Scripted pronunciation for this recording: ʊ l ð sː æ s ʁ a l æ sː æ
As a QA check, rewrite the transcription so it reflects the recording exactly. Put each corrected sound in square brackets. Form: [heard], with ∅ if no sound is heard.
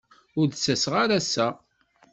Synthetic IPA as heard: ʊ [ɾ] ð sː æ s ʁ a [ɾ] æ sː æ